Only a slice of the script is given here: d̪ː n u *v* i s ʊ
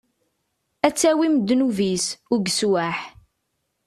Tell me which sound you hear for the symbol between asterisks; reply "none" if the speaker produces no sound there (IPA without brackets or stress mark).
v